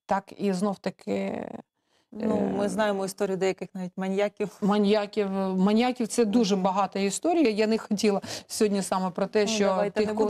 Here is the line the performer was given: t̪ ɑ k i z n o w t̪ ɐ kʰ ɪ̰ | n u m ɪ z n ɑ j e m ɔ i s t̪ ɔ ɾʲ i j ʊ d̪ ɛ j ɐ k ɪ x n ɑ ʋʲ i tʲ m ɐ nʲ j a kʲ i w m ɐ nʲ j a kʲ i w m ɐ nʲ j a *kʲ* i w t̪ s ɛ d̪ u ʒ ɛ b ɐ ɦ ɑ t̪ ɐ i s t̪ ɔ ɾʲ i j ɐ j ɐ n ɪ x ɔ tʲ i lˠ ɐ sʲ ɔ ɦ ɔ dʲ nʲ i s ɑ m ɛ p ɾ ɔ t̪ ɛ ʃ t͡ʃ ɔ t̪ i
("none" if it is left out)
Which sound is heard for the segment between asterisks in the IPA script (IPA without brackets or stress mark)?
kʲ